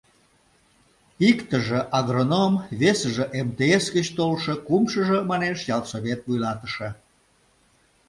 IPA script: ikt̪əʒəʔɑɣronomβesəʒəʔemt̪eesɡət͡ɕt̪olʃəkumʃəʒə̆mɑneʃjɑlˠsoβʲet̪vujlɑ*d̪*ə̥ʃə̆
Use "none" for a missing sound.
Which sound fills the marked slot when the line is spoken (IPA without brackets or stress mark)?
t̪